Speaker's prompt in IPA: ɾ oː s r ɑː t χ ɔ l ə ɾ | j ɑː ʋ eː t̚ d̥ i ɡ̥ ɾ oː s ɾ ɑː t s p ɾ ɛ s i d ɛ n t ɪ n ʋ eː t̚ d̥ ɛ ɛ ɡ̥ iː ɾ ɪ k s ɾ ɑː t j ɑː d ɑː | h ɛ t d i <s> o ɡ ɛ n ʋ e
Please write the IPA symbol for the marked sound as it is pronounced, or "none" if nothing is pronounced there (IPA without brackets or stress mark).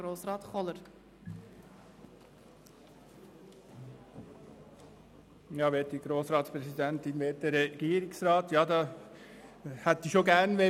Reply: ʃ